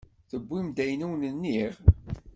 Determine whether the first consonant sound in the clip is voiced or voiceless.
voiceless